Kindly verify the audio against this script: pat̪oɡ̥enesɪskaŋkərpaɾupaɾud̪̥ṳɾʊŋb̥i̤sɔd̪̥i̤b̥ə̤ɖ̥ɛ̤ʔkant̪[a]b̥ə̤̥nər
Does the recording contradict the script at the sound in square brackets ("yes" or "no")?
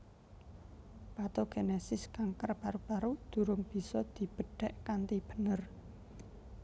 yes